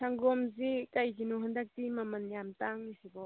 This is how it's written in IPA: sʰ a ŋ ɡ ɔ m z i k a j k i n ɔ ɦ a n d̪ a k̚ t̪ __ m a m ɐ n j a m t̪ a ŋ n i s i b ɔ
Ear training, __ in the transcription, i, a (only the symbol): i